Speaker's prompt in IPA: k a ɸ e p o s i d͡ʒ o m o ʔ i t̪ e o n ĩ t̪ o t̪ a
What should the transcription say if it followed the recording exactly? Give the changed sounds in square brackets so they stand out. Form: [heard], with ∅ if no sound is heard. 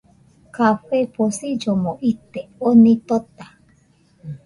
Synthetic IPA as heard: k a ɸ e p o s i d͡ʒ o m o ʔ i t̪ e o n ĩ t̪ o t̪ a